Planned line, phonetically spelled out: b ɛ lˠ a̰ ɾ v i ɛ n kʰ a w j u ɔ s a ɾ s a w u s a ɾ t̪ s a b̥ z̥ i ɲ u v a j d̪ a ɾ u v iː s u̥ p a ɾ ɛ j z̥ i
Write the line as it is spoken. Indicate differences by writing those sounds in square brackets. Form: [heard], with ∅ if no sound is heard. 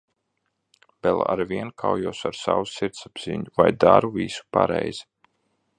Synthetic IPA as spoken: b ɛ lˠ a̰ ɾ v i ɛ n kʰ a w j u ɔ s a ɾ s a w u s [i] ɾ t̪ s a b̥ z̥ i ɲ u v a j d̪ a ɾ u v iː s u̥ p a ɾ ɛ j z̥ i